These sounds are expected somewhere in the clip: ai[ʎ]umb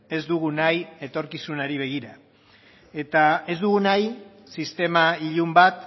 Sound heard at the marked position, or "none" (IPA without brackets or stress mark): ʎ